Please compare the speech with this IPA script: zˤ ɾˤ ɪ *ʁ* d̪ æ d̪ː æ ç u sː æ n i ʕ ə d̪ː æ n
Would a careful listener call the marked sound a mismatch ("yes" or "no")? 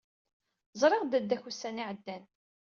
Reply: no